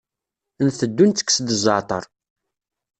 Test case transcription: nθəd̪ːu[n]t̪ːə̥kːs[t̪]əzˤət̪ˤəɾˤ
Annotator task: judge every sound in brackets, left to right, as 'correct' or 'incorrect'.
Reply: correct, incorrect: d̪

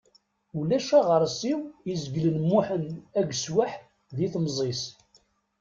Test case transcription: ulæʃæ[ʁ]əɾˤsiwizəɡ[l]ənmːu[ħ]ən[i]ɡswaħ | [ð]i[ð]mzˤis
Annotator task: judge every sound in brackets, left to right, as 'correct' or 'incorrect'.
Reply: correct, correct, correct, incorrect: æ, correct, incorrect: θ

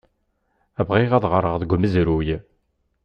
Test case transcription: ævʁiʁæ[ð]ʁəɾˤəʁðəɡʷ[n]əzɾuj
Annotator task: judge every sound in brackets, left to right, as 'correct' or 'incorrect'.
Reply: correct, incorrect: m

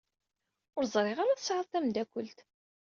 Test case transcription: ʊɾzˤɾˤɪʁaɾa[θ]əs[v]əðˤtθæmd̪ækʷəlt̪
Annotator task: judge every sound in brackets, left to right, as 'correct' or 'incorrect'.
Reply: correct, incorrect: ʕ

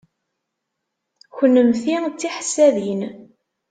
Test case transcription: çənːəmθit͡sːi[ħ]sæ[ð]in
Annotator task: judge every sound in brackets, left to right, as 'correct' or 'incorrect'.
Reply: correct, correct

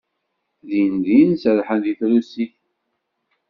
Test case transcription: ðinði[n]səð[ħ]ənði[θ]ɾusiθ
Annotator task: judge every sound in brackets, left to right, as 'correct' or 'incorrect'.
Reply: correct, correct, correct

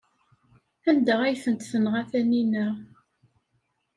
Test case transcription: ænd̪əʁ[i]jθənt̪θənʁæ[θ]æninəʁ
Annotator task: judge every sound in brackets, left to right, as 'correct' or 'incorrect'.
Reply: incorrect: æ, correct

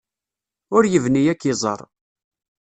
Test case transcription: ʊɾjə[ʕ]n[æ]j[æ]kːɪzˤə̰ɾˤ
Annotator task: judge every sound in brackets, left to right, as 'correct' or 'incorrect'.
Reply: incorrect: v, incorrect: i, correct

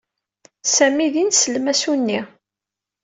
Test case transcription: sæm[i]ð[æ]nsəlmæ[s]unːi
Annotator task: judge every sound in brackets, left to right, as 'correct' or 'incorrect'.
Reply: correct, incorrect: i, correct

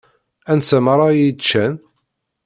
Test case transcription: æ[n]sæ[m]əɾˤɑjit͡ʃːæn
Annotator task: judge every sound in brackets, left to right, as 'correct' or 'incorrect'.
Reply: correct, correct

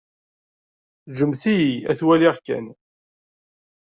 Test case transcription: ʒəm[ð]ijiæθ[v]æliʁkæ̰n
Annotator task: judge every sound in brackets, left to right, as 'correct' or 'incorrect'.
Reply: incorrect: θ, incorrect: w

